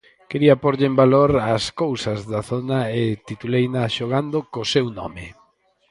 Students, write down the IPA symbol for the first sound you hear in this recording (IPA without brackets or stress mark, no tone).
k